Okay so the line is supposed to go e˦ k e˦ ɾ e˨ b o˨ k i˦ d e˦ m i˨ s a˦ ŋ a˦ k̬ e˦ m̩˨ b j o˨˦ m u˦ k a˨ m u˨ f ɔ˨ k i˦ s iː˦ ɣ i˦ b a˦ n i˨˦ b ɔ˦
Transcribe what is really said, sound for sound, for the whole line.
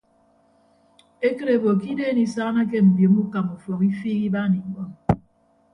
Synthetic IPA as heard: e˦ k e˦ ɾ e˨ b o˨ k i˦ d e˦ n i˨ s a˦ n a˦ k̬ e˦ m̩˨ b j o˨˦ m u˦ k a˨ m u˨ f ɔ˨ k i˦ f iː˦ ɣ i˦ b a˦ n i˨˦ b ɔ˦